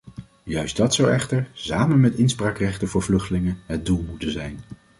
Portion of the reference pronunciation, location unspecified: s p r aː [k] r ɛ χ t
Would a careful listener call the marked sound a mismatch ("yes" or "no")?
no